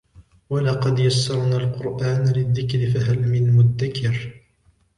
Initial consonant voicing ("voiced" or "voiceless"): voiced